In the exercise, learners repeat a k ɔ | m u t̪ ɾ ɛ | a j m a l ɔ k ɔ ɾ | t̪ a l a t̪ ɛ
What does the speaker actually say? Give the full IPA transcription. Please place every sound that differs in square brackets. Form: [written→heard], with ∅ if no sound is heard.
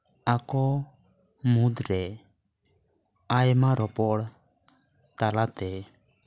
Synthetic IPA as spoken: a k ɔ | m u [t̪→d̪] ɾ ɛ | a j m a [l→ɾ] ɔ [k→p] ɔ [ɾ→ɽ] | t̪ a l a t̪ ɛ